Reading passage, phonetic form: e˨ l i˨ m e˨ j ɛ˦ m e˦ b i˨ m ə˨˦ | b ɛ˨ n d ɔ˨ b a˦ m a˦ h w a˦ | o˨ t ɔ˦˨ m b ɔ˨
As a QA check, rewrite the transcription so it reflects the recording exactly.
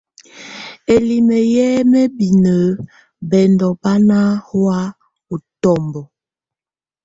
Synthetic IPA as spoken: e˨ l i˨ m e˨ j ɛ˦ m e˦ b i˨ n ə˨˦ | b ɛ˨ n d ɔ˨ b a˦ n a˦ h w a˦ | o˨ t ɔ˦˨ m b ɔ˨